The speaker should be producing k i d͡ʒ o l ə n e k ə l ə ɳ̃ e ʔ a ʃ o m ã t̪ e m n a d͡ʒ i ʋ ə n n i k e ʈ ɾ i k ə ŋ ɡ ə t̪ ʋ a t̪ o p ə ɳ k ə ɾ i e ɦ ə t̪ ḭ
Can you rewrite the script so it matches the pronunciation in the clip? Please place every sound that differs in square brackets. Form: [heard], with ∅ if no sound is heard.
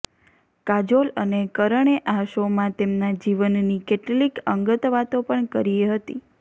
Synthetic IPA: k [a] d͡ʒ o l ə n e k ə [ɾ] ə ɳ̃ e ʔ a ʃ o m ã t̪ e m n a d͡ʒ i ʋ ə n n i k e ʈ [l] i k ə ŋ ɡ ə t̪ ʋ a t̪ o p ə ɳ k ə ɾ i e ɦ ə t̪ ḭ